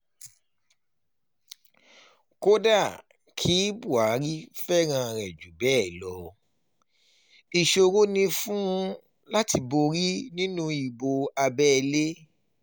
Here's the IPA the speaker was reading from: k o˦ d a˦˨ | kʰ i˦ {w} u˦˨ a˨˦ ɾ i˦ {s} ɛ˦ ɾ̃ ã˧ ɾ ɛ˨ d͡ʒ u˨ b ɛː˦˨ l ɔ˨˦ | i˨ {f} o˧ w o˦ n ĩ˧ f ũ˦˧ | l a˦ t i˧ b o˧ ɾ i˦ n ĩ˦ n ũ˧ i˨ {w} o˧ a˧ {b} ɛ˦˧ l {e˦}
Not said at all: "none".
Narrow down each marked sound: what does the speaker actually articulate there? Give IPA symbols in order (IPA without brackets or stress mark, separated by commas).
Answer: b, f, ʃ, b, b, e˦